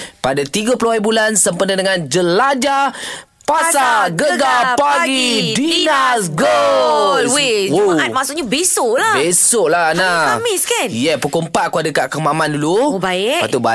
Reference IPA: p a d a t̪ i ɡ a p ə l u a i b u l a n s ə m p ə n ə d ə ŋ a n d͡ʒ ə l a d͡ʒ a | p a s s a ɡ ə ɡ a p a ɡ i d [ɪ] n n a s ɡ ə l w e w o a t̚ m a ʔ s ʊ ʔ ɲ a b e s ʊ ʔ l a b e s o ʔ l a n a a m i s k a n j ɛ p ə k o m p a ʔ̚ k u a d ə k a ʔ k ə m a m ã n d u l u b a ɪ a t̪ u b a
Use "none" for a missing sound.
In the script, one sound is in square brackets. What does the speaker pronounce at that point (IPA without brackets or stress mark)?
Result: i